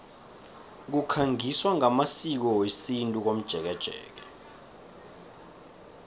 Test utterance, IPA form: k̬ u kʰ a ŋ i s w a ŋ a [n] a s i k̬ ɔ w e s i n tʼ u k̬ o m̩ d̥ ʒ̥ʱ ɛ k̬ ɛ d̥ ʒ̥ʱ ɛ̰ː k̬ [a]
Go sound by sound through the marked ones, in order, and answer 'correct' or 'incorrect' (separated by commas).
incorrect, incorrect